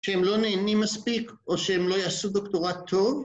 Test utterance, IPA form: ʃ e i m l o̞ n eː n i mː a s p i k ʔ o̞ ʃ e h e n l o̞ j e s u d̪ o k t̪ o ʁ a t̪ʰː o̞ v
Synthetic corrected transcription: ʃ e e m l o̞ n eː n i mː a s p i k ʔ o̞ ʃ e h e m l o̞ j a s u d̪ o k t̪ o ʁ a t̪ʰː o̞ v